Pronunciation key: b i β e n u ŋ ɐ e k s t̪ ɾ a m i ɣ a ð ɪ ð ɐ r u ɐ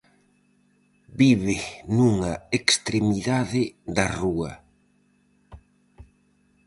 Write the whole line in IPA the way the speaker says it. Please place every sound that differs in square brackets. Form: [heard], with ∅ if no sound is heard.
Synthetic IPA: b i β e n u ŋ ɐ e k s t̪ ɾ [e] m i [ð] a ð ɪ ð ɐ r u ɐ

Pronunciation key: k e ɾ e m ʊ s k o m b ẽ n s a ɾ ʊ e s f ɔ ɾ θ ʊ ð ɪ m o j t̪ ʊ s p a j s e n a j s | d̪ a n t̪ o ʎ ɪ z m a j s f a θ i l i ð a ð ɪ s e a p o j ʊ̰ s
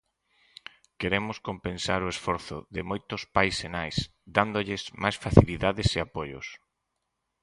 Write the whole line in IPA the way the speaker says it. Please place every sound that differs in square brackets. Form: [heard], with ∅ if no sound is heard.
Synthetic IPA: k e ɾ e m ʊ s k o m [p] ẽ n s a ɾ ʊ e s f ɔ ɾ θ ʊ ð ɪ m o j t̪ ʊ s p a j s e n a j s | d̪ a n [d̪] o ʎ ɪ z m a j s f a θ i l i ð a ð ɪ s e a p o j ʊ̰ s

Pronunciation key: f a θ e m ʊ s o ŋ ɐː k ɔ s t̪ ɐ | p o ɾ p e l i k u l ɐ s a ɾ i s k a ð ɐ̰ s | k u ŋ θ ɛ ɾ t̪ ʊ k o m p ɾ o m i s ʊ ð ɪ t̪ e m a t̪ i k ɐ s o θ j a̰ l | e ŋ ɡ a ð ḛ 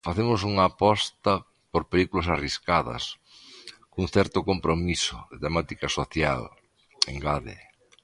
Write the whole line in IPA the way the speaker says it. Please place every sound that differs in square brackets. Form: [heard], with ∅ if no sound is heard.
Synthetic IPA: f a θ e m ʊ s [u] ŋ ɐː [p] ɔ s t̪ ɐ | p o ɾ p e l i k u l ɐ s a [r] i s k a ð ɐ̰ s | k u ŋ θ ɛ ɾ t̪ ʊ k o m p ɾ o m i s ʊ ð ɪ t̪ e m a t̪ i k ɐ s o θ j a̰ l | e ŋ ɡ a ð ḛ

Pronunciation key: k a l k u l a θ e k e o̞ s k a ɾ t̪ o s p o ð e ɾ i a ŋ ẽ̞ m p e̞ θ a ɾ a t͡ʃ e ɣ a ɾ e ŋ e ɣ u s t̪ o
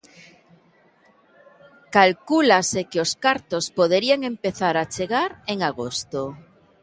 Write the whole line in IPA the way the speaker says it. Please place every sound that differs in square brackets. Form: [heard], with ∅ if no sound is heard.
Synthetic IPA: k a l k u l a [s] e k e o̞ s k a ɾ t̪ o s p o ð e ɾ i a ŋ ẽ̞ m p e̞ θ a ɾ a t͡ʃ e ɣ a ɾ e ŋ [a] ɣ [o] s t̪ o

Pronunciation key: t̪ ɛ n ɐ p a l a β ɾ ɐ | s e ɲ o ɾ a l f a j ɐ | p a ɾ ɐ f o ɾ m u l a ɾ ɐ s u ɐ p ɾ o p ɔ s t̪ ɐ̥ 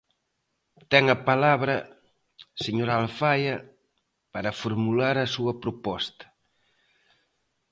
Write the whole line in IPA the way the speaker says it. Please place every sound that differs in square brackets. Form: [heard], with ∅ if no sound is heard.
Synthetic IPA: t̪ ɛ [ŋ] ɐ p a l a β ɾ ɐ | s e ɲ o ɾ a l f a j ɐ | p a ɾ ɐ f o ɾ m u l a ɾ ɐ s u ɐ p ɾ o p ɔ s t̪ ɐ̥

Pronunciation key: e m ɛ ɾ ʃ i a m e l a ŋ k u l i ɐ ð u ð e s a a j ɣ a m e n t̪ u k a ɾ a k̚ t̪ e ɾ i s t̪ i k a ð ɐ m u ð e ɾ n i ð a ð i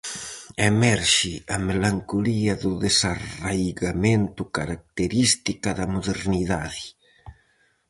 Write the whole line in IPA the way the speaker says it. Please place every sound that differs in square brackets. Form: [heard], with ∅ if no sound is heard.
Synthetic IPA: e m ɛ ɾ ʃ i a m e l a ŋ k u l i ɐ ð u ð e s a a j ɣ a m e n t̪ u k a ɾ a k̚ t̪ e ɾ i s t̪ i k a ð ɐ m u ð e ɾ n i ð a ð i

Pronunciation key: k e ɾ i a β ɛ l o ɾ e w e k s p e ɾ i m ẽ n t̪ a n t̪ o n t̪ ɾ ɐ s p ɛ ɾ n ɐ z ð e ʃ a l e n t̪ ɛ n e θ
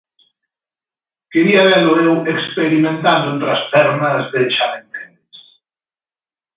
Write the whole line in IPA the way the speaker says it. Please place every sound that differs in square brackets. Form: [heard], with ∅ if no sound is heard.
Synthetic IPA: k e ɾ i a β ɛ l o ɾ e w e k s p e ɾ i m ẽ n t̪ a n [d̪] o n t̪ ɾ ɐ s p ɛ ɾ n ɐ z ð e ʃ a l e n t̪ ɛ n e [s]

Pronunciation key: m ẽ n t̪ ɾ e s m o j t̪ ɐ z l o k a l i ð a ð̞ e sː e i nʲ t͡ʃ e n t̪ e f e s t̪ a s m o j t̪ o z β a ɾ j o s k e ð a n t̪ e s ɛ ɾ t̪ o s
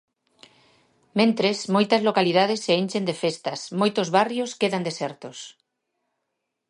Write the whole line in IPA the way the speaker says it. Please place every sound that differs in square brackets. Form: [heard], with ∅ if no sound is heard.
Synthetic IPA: m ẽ n t̪ ɾ e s m o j t̪ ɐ z l o k a l i ð a ð̞ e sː e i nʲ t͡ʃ e n [d̪] e f e s t̪ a s m o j t̪ o z β a [r] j o s k e ð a n [d̪] e s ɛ ɾ t̪ o s

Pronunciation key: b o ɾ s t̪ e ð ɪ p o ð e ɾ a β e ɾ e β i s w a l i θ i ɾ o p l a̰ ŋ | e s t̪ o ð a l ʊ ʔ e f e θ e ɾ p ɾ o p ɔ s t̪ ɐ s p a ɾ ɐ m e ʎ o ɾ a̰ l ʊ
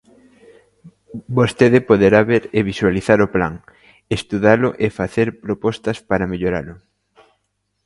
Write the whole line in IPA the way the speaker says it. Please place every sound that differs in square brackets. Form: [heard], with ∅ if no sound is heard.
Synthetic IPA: b o [∅] s t̪ e ð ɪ p o ð e ɾ a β e ɾ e β i s w a l i θ [a] ɾ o p l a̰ ŋ | e s t̪ [u] ð a l ʊ ʔ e f [a] θ e ɾ p ɾ o p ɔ s t̪ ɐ s p a ɾ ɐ m e ʎ o ɾ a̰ l ʊ

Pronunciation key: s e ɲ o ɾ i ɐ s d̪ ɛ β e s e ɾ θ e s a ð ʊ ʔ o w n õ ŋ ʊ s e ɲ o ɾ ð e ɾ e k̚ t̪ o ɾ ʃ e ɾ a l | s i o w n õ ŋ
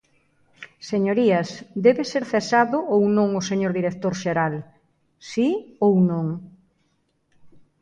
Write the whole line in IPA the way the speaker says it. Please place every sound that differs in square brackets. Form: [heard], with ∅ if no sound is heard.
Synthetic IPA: s e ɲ o ɾ i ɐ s d̪ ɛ β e s e ɾ θ e s a ð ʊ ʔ o w n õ ŋ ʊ s e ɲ o ɾ ð [i] ɾ e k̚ t̪ o ɾ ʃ e ɾ a l | s i o w n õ ŋ

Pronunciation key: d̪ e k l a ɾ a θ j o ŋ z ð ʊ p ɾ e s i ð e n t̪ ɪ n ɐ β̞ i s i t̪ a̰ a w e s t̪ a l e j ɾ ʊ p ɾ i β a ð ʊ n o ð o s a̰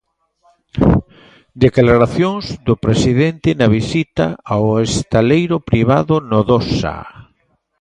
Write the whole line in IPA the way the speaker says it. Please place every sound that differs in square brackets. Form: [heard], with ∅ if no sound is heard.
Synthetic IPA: d̪ e k l a ɾ a θ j o ŋ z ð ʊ p ɾ e s i ð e n t̪ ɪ n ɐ β̞ i s i t̪ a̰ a w e s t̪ a l e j ɾ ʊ p ɾ i β a ð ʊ n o ð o s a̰

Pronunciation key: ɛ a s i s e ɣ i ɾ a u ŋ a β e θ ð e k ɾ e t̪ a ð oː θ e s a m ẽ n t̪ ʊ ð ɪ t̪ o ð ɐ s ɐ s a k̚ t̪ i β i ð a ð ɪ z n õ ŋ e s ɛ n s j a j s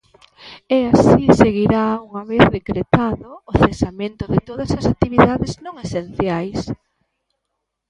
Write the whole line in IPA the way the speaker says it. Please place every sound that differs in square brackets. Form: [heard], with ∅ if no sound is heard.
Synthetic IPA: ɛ a s i s e ɣ i ɾ a u ŋ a β e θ ð e k ɾ e t̪ a ð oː θ e s a m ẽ n t̪ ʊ ð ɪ t̪ o ð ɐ s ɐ s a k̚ t̪ i β i ð a ð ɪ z n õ ŋ e s [e] n [θ] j a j s

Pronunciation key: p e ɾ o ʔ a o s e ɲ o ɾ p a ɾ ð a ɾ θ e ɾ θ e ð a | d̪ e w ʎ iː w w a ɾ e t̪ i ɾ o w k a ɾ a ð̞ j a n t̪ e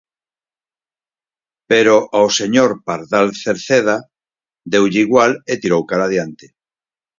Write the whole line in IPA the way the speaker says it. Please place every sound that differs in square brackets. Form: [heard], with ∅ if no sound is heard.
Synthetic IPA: p e ɾ o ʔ a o s e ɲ o ɾ p a ɾ ð a [l] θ e ɾ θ e ð a | d̪ e w ʎ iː [ɣ] w a [l] e t̪ i ɾ o w k a ɾ a ð̞ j a n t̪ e

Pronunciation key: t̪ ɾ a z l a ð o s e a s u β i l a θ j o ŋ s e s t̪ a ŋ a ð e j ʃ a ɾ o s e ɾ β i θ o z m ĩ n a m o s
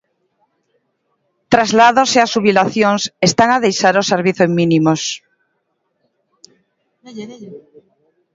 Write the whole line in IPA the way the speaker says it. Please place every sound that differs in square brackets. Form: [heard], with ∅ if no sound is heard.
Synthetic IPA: t̪ ɾ a z l a ð o s e a s u β i l a θ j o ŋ s e s t̪ a ŋ a ð e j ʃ a ɾ o s e ɾ β i θ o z m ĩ n [i] m o s

